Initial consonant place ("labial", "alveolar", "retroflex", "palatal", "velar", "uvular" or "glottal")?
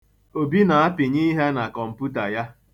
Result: labial